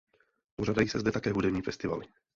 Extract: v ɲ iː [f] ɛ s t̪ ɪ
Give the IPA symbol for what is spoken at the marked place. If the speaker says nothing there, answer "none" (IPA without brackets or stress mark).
f